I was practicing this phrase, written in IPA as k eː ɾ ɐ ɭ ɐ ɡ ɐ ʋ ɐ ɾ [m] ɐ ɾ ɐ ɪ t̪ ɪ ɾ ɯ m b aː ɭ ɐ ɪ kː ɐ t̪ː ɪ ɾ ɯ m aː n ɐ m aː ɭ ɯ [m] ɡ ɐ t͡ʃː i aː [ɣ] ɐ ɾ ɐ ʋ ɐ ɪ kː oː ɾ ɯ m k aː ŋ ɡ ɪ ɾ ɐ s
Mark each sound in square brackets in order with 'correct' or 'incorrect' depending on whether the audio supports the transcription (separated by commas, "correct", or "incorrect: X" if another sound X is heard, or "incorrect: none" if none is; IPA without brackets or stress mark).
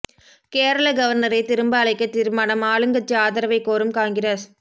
incorrect: n, incorrect: ŋ, incorrect: ð